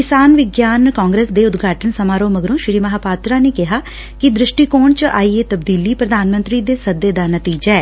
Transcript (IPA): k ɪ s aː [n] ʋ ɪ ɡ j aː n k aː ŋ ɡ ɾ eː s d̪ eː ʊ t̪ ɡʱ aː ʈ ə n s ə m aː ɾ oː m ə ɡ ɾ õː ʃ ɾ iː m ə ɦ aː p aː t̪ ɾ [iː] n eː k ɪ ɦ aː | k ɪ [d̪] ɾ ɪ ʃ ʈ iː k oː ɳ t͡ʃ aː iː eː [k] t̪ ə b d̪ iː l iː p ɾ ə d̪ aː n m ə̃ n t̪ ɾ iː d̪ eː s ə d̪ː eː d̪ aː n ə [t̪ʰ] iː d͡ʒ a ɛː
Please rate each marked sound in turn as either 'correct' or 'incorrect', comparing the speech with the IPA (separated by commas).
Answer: correct, incorrect, correct, incorrect, incorrect